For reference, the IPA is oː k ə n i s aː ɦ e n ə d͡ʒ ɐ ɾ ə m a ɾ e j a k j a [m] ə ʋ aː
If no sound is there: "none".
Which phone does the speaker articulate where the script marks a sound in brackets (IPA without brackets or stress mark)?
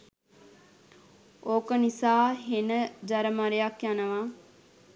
n